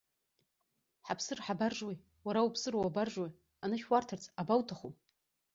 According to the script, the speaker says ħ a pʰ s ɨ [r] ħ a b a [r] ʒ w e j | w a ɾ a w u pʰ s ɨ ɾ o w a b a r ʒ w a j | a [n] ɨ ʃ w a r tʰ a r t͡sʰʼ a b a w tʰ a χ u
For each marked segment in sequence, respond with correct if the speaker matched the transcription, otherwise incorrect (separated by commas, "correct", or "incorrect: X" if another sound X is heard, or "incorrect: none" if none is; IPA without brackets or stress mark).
correct, correct, correct